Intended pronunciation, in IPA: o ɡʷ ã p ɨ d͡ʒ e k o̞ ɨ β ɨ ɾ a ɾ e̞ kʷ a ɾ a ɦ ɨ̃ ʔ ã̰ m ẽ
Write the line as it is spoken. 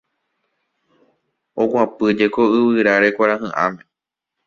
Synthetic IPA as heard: o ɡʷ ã p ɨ d͡ʒ e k o̞ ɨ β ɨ ɾ a ɾ e̞ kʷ a ɾ a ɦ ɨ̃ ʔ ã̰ m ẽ